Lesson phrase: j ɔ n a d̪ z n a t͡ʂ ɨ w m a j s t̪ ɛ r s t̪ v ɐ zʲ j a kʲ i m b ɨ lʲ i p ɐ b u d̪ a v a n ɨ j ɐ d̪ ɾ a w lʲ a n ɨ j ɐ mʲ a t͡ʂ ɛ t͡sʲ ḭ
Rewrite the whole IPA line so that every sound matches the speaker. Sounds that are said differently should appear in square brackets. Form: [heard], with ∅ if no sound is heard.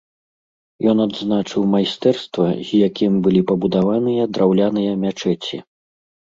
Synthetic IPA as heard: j ɔ n a d̪ z n a t͡ʂ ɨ w m a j s t̪ ɛ r s t̪ v ɐ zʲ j a kʲ i m b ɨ lʲ i p ɐ b u d̪ a v a n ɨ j ɐ d̪ ɾ a w lʲ a n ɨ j ɐ mʲ a t͡ʂ ɛ t͡sʲ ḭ